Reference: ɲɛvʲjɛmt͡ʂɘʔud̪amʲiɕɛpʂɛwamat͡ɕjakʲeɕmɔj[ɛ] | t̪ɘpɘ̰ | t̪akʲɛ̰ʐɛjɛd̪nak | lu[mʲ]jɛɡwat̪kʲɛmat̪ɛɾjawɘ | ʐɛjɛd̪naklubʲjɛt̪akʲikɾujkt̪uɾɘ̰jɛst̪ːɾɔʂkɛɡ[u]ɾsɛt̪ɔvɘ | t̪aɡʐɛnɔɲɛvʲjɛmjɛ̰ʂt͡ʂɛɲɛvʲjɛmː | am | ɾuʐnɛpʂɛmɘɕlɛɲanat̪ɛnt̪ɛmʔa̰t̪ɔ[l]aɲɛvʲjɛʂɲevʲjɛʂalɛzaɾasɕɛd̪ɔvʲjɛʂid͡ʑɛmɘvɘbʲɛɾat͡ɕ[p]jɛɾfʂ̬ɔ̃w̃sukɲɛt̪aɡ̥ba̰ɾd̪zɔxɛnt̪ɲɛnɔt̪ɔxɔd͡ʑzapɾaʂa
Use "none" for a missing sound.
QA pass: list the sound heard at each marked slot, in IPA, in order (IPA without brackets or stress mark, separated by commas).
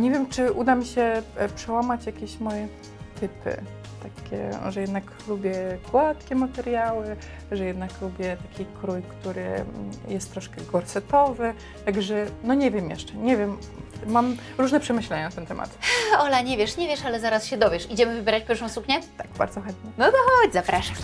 ɛ, bʲ, ɔ, l, p